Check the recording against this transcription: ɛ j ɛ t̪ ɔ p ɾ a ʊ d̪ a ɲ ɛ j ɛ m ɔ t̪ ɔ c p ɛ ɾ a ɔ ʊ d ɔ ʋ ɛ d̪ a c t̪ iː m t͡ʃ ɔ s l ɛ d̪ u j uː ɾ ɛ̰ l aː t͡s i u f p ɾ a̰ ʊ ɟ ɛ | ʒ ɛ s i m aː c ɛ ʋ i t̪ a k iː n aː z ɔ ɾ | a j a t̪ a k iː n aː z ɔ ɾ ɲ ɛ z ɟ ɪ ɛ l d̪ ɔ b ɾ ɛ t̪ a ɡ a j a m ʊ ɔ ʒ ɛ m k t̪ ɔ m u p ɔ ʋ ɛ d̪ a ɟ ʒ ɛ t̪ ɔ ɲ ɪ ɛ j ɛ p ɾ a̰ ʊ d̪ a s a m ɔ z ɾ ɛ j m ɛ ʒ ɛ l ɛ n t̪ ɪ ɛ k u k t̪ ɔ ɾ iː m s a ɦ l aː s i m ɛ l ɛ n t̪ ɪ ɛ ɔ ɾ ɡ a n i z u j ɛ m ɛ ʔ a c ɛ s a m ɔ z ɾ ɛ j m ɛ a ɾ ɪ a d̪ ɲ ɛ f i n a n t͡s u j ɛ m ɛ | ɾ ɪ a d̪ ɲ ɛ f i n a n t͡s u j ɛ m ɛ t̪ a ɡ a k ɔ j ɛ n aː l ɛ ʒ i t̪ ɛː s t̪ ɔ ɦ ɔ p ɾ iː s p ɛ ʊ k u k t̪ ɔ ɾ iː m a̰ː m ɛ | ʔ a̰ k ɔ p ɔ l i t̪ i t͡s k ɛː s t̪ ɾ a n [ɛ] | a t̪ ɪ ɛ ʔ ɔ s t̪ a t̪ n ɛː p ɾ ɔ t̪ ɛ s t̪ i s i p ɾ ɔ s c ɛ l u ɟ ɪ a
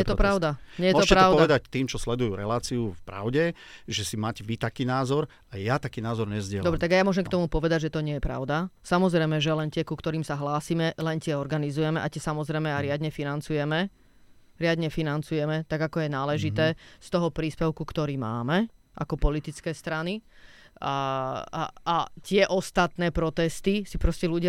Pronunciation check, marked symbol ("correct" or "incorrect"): incorrect